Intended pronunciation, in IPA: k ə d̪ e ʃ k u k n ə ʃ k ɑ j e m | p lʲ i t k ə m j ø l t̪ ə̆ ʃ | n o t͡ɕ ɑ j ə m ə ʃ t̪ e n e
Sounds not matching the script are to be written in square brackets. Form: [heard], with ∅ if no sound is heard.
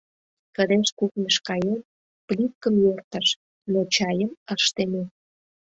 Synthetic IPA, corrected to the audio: k ə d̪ e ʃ k u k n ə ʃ k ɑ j e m | p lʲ i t k ə m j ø [r] t̪ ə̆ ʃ | n o t͡ɕ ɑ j ə m ə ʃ t̪ e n e